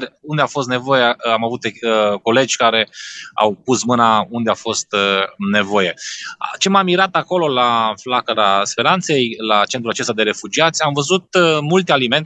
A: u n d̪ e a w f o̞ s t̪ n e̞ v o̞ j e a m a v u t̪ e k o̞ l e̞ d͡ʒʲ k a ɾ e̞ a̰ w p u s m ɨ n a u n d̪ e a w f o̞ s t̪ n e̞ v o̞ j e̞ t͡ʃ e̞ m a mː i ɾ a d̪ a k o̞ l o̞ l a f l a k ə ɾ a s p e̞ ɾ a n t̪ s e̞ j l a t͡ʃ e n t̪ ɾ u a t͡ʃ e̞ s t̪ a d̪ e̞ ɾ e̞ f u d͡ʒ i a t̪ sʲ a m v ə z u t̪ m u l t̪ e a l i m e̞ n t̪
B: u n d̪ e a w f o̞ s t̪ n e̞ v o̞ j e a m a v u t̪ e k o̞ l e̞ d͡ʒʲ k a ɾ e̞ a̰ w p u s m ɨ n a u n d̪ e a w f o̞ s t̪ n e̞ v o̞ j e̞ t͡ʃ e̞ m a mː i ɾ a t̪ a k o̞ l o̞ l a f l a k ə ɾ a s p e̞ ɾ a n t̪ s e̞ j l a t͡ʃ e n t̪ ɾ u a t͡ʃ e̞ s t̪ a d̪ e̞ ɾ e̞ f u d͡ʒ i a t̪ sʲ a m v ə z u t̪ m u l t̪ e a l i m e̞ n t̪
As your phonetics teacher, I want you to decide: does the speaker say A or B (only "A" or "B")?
B